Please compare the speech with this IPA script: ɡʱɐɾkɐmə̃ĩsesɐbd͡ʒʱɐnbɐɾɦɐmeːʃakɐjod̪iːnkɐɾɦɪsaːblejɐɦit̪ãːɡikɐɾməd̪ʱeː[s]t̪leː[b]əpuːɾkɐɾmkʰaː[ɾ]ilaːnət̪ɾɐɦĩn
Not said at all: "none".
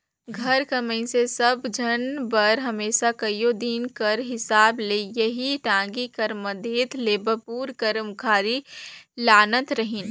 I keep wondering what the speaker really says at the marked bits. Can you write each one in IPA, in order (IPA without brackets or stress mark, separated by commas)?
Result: none, b, ɾ